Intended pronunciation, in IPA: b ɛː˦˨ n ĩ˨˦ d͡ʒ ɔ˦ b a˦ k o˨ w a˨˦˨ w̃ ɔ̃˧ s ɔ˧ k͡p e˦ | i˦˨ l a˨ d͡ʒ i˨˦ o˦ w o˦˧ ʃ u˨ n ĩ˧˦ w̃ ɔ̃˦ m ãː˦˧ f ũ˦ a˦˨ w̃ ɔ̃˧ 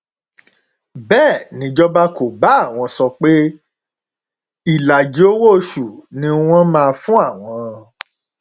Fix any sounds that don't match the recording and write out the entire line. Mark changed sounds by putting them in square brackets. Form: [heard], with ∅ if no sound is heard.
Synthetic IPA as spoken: b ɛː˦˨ n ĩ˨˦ d͡ʒ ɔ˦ b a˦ k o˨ [b] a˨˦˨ w̃ ɔ̃˧ s ɔ˧ k͡p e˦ | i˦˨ l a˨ d͡ʒ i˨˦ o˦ w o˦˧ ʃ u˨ n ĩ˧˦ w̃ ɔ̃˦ m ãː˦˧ f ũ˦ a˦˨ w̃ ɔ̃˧